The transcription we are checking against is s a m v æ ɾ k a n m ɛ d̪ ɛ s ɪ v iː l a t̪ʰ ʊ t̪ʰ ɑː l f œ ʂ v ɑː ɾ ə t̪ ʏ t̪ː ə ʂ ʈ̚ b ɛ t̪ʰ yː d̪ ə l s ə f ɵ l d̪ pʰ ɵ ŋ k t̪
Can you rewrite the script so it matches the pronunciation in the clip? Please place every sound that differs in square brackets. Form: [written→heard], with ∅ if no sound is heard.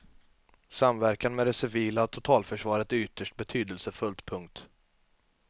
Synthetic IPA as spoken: s a m v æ ɾ k a n m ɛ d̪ ɛ s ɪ v iː l a t̪ʰ ʊ t̪ʰ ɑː l f œ ʂ v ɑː ɾ ə t̪ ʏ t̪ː ə ʂ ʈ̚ b ɛ t̪ʰ yː d̪ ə l s ə f ɵ l [d̪→t̪] pʰ ɵ ŋ k t̪